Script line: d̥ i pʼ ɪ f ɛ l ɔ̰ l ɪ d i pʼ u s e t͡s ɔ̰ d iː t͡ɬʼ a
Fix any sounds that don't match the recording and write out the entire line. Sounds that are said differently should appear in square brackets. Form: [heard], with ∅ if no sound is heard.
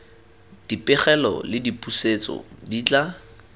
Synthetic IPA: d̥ i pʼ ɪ [χ] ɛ l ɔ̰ l ɪ d i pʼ u s e t͡s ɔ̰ d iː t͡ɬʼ a